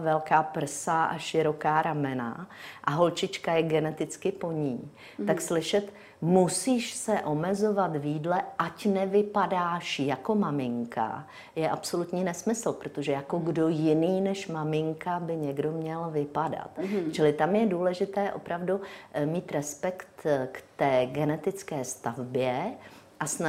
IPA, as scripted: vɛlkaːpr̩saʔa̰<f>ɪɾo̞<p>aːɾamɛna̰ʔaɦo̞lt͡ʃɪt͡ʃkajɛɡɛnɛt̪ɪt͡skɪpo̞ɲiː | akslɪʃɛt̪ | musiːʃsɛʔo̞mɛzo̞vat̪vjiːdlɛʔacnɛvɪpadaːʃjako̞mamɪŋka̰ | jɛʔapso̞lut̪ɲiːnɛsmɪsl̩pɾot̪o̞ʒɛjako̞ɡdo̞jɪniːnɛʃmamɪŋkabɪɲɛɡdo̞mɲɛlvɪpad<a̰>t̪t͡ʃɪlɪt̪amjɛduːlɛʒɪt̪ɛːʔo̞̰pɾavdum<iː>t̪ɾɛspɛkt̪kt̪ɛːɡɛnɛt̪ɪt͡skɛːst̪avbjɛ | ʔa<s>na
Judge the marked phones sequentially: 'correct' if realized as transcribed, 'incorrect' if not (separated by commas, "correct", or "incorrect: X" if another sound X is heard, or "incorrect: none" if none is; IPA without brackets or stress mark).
incorrect: ʃ, incorrect: k, correct, correct, correct